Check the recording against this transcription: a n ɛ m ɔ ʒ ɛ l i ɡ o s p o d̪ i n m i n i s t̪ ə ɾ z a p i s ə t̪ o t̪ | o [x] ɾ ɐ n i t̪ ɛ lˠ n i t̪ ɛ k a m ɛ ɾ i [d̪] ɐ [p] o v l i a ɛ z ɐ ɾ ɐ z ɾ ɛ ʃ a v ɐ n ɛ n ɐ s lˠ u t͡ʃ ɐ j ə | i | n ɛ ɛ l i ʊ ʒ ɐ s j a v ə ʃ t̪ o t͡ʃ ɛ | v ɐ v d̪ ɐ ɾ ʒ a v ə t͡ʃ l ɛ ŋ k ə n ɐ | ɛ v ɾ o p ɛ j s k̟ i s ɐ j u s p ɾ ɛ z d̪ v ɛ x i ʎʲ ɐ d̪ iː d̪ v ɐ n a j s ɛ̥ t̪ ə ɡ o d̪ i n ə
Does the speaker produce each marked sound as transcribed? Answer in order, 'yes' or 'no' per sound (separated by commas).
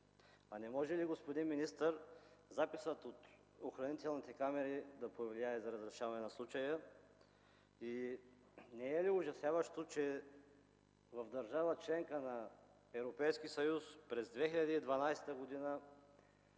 yes, yes, yes